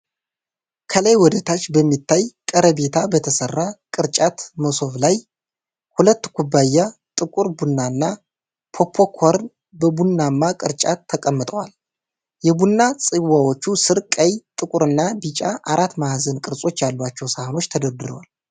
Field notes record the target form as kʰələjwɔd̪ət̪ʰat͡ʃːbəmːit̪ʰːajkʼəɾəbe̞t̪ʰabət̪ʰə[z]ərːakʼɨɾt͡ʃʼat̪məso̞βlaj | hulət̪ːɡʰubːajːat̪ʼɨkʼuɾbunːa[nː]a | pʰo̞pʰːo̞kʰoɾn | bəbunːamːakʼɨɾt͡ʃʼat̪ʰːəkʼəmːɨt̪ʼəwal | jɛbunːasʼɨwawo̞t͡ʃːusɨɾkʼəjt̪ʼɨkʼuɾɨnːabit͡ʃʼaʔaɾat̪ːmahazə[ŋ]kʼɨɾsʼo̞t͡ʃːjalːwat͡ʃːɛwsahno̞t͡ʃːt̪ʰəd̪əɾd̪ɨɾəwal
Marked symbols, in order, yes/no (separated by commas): no, yes, no